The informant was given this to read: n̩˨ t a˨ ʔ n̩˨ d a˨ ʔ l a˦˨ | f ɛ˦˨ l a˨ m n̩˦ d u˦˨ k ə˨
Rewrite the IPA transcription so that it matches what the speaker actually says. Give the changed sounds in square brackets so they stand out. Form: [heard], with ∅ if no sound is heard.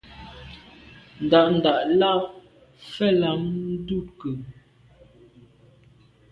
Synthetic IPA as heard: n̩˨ [d] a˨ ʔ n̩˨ d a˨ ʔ l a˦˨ | f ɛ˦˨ l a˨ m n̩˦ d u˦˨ k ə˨